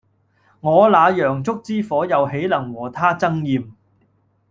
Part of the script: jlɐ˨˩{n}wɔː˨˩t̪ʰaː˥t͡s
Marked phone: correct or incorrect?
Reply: incorrect